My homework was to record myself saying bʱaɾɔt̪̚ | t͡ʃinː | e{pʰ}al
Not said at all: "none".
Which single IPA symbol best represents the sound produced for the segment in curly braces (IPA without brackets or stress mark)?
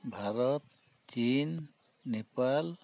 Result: p